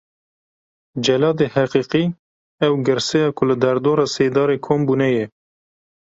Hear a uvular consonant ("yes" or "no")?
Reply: yes